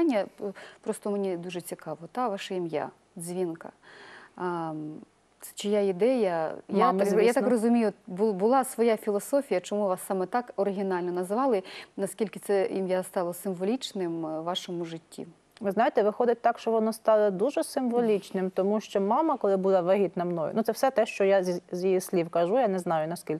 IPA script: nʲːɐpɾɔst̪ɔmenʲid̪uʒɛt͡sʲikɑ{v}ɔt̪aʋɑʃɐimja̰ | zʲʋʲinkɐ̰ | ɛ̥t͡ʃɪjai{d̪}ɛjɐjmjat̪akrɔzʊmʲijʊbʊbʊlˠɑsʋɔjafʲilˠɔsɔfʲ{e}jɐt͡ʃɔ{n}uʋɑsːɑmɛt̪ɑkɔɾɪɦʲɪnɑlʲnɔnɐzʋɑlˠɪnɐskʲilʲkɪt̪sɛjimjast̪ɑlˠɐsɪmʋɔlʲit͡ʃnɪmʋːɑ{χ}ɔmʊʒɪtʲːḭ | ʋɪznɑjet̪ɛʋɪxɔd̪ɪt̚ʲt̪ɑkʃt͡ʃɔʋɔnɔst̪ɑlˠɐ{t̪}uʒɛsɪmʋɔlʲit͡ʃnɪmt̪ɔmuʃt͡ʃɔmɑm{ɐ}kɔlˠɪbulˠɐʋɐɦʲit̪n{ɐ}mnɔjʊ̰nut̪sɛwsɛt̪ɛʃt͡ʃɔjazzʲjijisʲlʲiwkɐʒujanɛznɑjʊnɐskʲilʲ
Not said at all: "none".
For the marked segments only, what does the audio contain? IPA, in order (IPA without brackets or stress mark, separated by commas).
ʋ, d̪, i, m, ʃ, d̪, ɐ, ɐ